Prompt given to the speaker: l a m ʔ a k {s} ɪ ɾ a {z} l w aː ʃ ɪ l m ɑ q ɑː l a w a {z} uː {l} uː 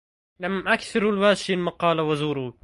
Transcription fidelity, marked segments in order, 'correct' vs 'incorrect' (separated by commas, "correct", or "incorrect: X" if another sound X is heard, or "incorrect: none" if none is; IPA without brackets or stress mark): incorrect: θ, incorrect: none, correct, incorrect: ɾ